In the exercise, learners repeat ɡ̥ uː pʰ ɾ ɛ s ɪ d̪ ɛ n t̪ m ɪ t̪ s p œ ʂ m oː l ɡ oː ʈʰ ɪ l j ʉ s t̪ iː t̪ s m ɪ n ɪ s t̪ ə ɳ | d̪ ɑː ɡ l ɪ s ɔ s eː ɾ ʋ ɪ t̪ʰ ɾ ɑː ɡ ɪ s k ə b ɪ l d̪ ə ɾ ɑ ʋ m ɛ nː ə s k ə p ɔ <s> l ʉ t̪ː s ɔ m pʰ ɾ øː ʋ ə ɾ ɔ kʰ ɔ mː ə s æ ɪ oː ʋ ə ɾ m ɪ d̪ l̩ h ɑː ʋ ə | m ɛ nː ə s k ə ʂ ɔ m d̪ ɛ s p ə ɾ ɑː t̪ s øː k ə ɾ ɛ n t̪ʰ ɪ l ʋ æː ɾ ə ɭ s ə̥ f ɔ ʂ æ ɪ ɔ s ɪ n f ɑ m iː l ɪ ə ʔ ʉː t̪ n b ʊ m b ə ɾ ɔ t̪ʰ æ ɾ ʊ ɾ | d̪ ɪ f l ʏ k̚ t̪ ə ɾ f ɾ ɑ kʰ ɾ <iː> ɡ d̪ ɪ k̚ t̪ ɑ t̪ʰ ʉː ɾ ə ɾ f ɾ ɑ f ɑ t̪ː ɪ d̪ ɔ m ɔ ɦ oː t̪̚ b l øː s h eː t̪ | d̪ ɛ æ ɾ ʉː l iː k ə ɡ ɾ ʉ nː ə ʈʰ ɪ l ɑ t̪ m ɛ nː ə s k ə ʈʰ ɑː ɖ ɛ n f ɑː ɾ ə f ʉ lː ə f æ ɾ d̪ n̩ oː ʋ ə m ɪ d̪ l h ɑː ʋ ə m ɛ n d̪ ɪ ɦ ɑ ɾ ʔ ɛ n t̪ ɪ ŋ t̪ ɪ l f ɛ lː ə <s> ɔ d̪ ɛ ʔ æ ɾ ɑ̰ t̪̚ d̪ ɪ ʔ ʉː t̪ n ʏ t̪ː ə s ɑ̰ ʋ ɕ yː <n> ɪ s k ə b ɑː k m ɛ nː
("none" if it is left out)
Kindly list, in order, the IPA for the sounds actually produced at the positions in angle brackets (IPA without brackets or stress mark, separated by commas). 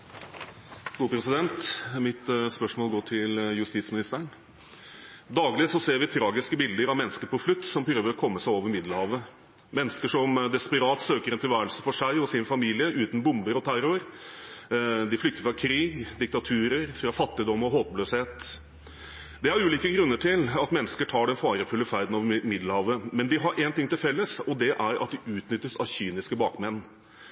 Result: f, iː, s, n